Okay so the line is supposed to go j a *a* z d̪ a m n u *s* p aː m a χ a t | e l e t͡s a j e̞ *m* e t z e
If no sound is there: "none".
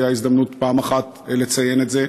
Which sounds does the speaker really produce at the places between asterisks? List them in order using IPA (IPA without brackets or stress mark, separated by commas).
i, t, n